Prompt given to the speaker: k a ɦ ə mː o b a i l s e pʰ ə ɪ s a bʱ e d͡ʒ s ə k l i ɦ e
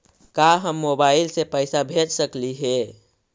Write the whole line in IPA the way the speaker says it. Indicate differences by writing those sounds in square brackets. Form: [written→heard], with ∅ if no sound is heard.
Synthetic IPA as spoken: k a ɦ ə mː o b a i l s e [pʰ→p] ə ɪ s a bʱ e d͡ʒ s ə k l i ɦ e